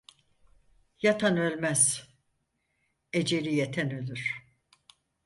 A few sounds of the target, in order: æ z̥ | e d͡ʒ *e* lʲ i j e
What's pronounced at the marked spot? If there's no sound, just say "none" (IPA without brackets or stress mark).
e